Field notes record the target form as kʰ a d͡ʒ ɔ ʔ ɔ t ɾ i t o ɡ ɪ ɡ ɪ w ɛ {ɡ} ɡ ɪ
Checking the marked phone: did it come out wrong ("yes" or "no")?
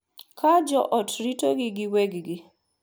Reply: no